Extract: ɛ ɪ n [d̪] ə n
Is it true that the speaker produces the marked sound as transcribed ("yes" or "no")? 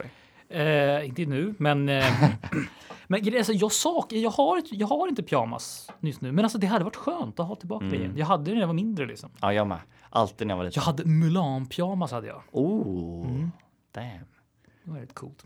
no